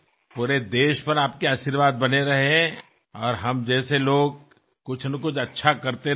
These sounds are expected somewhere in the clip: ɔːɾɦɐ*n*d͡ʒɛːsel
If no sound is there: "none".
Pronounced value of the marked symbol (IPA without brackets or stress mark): m